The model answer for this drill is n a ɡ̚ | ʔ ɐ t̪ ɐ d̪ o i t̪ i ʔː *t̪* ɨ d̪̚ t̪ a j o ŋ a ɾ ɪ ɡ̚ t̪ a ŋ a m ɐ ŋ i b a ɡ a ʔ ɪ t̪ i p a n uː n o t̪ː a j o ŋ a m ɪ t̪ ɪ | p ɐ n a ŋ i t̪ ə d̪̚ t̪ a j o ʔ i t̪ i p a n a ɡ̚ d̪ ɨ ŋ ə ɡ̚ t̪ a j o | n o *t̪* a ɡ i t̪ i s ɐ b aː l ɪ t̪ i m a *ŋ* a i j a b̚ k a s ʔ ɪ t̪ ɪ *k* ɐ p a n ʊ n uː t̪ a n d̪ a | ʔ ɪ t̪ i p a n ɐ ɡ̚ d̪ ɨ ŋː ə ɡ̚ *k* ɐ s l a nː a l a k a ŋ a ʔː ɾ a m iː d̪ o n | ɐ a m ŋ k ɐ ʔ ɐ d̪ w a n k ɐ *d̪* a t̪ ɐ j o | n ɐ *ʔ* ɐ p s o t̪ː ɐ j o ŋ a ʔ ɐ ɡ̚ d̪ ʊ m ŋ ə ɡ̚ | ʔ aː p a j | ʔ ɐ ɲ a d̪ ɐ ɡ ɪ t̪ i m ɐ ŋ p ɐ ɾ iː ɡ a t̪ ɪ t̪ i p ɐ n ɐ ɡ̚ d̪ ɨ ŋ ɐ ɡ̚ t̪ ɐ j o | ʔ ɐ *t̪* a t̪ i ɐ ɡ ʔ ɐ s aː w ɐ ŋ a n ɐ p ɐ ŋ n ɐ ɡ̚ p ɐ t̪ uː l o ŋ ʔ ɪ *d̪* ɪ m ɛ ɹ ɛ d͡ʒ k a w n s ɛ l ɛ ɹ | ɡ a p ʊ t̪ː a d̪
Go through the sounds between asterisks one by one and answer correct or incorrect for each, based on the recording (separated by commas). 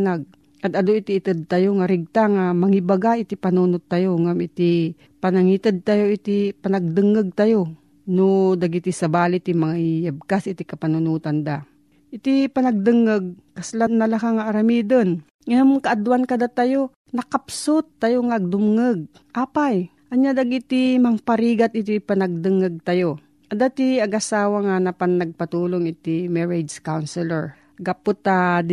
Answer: correct, incorrect, correct, correct, correct, correct, incorrect, incorrect, incorrect